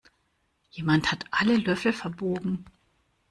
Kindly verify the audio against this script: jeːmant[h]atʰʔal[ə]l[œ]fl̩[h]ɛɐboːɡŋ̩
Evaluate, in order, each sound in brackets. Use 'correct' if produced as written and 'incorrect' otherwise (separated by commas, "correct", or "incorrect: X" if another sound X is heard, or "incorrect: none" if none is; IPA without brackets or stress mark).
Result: correct, correct, correct, incorrect: f